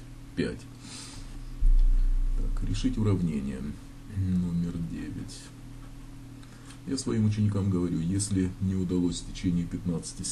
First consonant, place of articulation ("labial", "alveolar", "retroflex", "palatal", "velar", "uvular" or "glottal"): labial